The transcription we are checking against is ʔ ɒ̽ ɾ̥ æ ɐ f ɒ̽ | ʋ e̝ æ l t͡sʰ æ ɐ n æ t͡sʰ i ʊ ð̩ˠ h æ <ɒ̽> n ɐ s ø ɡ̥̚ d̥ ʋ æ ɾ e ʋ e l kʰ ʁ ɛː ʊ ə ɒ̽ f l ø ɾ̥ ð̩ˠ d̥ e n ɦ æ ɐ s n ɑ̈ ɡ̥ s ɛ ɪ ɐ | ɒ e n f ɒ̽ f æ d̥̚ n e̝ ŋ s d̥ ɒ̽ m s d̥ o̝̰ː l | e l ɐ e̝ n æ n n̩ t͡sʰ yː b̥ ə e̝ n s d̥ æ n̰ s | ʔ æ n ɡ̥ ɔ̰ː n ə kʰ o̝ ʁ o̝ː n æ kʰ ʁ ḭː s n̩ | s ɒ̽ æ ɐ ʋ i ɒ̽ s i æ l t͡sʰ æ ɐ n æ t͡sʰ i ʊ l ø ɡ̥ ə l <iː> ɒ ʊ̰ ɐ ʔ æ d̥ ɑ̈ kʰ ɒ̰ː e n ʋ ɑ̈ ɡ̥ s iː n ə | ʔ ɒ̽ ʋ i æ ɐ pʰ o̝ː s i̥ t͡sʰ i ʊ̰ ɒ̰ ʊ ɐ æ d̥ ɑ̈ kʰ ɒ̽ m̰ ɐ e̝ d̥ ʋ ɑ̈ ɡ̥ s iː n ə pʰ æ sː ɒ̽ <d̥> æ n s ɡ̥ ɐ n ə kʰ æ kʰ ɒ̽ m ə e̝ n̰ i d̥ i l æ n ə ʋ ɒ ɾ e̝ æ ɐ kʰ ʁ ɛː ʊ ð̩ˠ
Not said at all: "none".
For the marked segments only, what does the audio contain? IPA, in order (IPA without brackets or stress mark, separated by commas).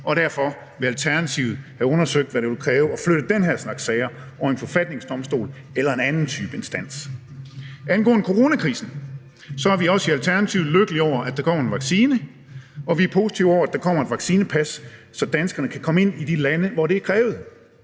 ɔ̽, i, d̥